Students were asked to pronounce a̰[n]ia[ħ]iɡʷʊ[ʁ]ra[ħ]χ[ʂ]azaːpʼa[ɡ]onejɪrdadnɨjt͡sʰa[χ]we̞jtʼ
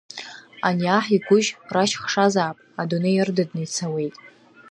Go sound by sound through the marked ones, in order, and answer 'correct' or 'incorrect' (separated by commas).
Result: correct, correct, incorrect, incorrect, correct, incorrect, incorrect